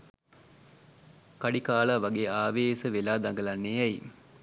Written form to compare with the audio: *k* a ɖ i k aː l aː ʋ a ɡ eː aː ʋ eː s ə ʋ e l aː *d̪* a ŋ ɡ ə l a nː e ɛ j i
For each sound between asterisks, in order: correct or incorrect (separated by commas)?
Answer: correct, correct